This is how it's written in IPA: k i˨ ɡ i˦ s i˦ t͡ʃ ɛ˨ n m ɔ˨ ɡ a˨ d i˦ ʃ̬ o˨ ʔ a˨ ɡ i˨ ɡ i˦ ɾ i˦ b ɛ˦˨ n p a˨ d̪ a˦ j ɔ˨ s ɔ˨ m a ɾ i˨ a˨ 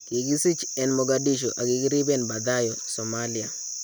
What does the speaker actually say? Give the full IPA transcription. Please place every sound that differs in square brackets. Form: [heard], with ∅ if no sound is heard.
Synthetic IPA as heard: k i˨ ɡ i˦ s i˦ t͡ʃ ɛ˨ n m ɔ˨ ɡ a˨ d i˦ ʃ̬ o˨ ʔ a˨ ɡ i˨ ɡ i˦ ɾ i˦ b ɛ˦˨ n [b] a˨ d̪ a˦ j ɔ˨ s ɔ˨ m a [l] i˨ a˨